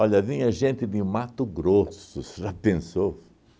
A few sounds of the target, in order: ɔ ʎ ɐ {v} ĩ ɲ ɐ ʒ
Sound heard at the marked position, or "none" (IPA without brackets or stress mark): v